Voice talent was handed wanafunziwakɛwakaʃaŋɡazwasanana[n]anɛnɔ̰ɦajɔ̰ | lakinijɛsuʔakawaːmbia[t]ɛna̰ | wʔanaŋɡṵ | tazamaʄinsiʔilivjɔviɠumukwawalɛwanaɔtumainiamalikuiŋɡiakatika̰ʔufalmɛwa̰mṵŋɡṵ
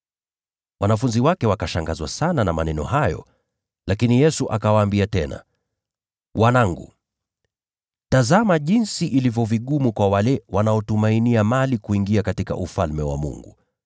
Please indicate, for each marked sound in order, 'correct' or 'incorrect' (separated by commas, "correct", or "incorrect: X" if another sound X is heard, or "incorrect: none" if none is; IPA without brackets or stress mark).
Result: incorrect: m, correct